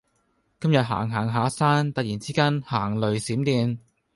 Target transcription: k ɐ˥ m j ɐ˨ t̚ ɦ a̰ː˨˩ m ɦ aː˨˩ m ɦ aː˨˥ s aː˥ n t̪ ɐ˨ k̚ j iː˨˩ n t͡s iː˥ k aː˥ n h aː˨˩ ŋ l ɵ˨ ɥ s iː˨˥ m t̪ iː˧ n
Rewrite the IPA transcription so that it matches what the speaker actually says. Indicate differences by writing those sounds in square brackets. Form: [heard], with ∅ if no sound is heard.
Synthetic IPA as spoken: k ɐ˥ m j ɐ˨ t̚ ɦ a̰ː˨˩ [ŋ] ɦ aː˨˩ [ŋ] ɦ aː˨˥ s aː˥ n t̪ ɐ˨ k̚ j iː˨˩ n t͡s iː˥ k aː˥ n h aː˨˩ ŋ l ɵ˨ ɥ s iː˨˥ m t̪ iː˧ n

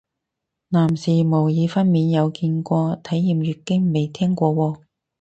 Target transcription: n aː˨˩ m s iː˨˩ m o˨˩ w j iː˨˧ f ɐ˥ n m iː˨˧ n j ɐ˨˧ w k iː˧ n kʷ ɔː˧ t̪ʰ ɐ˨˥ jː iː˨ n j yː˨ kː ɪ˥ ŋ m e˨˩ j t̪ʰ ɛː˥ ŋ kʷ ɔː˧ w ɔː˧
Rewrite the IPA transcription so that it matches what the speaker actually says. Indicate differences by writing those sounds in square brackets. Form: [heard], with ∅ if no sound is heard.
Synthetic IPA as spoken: n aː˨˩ m s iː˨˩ m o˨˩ w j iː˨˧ f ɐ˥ n m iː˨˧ n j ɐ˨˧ w k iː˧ n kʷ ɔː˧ t̪ʰ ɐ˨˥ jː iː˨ [m] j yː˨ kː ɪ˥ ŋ m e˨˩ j t̪ʰ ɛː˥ ŋ kʷ ɔː˧ w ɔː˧

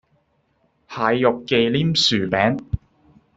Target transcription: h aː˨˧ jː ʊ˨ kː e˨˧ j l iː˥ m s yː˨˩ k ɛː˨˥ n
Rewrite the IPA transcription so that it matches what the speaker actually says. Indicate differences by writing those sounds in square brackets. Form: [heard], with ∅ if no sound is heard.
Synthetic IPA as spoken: h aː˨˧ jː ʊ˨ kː e˨˧ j l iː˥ m s yː˨˩ [p] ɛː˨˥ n

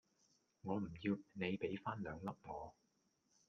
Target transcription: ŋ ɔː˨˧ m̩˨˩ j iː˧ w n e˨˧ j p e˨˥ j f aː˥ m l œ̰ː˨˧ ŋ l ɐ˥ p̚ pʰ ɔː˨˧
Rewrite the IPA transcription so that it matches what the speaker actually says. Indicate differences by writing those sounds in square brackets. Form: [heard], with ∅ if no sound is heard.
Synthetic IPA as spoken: ŋ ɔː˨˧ m̩˨˩ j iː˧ w n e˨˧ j p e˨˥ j f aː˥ [n] l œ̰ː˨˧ ŋ l ɐ˥ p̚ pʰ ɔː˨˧

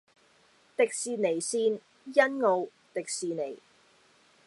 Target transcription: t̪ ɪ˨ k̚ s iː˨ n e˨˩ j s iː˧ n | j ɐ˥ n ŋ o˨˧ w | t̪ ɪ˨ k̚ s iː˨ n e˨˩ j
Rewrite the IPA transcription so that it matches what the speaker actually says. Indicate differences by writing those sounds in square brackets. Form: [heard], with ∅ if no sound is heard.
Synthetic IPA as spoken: t̪ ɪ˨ k̚ s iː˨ n e˨˩ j s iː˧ n | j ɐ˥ n ŋ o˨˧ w | t̪ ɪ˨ k̚ s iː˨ n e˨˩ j

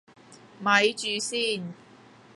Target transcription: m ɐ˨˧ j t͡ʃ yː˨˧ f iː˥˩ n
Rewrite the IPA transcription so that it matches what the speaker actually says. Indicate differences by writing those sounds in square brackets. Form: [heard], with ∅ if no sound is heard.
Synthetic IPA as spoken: m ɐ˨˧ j t͡ʃ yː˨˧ [s] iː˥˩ n

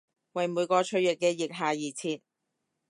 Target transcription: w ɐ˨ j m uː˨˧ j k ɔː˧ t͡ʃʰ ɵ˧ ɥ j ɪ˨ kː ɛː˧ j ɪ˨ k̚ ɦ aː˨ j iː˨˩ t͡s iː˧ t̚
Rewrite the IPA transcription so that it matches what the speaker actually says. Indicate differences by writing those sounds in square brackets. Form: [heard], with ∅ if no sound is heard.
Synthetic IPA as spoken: w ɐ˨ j m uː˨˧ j k ɔː˧ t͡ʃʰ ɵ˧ ɥ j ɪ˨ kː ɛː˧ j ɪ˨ k̚ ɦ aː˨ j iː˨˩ [t͡sʰ] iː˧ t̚

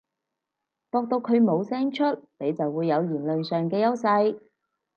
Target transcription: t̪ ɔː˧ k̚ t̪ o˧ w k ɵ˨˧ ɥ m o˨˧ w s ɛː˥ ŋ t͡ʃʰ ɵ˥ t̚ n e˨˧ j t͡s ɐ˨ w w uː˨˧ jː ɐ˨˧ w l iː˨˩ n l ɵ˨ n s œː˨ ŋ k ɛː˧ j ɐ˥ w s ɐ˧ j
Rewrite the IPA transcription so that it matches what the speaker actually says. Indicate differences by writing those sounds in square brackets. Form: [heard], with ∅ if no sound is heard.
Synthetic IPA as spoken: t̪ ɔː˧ k̚ t̪ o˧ w [kʰ] ɵ˨˧ ɥ m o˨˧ w s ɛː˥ ŋ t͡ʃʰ ɵ˥ t̚ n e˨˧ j t͡s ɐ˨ w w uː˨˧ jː ɐ˨˧ w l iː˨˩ n l ɵ˨ n s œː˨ ŋ k ɛː˧ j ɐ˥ w s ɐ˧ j

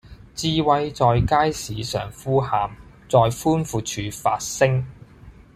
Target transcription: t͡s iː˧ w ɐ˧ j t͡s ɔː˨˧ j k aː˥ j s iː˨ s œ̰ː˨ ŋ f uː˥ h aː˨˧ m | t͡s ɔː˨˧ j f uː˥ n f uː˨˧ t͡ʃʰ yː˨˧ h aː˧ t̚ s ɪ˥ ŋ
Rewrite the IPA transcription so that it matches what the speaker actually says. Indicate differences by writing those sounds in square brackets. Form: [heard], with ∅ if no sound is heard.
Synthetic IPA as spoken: t͡s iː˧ w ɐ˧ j t͡s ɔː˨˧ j k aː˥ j s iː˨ s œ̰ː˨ ŋ f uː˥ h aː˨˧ m | t͡s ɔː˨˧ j f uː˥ n f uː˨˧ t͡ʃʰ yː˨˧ [f] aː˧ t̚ s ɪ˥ ŋ

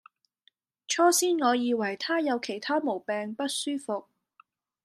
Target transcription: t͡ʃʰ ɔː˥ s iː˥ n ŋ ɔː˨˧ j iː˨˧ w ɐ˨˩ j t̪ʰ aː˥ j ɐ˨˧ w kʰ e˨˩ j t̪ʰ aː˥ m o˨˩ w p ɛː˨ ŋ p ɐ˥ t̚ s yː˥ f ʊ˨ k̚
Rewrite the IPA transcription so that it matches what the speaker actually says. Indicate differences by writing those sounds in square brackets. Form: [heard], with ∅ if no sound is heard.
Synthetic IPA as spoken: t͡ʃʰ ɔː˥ s iː˥ n ŋ ɔː˨˧ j iː˨˧ w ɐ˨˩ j t̪ʰ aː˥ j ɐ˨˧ w kʰ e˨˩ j t̪ʰ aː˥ m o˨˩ w p ɛː˨ ŋ p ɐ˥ t̚ s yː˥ f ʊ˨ k̚

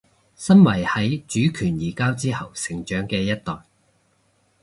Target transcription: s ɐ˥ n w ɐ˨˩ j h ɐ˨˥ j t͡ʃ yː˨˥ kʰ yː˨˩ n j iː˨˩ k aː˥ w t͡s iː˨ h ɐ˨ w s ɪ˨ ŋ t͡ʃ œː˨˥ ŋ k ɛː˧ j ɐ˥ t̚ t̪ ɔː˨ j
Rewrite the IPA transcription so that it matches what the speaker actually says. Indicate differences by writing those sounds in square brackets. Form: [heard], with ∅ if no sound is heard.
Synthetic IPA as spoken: s ɐ˥ n w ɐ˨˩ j h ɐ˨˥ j t͡ʃ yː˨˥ kʰ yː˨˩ n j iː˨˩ k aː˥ w t͡s [iː˥] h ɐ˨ w s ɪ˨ ŋ t͡ʃ œː˨˥ ŋ k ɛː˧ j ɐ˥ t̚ t̪ ɔː˨ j

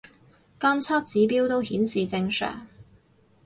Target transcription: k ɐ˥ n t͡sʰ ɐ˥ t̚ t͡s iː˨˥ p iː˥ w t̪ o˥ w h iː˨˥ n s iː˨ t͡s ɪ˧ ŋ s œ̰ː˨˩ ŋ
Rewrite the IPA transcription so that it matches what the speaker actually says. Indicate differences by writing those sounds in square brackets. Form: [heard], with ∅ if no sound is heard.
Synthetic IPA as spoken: k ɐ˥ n t͡sʰ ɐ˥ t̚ t͡s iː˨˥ p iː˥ w t̪ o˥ w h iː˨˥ n s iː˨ t͡s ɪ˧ ŋ s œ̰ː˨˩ ŋ

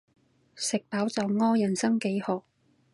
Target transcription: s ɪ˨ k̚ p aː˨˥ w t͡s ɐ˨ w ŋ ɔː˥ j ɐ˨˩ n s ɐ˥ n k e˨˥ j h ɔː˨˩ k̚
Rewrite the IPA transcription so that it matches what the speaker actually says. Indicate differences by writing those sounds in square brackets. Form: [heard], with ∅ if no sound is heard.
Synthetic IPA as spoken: s ɪ˨ k̚ p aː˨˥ w t͡s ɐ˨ w ŋ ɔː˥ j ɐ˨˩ n s ɐ˥ [ŋ] k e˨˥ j h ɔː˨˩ k̚

